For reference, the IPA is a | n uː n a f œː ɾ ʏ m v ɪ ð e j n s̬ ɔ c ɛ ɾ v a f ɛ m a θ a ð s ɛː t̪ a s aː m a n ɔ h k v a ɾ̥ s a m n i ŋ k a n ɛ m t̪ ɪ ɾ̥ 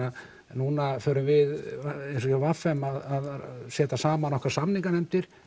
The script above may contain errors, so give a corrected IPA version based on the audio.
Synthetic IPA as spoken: a | n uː n a f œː ɾ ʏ m v ɪ ð e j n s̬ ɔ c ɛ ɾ v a f ɛ m a ð a ð s ɛː t̪ a s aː m a n ɔ h k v a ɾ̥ s a m n i ŋ k a n ɛ m t̪ ɪ ɾ̥